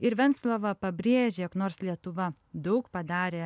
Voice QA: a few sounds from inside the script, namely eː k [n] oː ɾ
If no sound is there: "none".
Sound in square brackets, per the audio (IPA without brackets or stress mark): n